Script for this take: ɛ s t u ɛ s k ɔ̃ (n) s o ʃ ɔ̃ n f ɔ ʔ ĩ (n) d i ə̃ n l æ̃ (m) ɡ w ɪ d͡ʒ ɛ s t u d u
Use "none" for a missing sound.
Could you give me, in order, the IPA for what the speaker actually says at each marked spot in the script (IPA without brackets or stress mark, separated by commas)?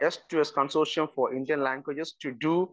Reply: n, n, ŋ